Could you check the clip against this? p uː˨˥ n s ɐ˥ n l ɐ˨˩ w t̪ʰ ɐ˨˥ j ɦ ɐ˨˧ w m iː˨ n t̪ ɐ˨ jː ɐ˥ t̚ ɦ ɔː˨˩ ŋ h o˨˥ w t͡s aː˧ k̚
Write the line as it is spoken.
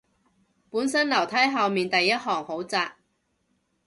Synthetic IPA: p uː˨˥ n s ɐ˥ n l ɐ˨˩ w t̪ʰ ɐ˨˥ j ɦ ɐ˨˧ w m iː˨ n t̪ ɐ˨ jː ɐ˥ t̚ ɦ ɔː˨˩ ŋ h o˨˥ w t͡s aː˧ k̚